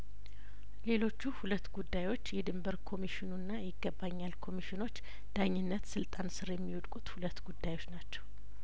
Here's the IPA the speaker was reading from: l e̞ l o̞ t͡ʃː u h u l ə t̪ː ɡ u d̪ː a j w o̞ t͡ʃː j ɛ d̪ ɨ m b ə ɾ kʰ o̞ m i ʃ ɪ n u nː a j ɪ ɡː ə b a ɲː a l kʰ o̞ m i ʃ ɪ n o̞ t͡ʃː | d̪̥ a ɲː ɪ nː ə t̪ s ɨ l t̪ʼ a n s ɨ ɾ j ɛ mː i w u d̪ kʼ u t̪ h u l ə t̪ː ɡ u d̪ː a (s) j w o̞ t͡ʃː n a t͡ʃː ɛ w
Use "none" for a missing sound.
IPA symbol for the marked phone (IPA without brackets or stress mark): none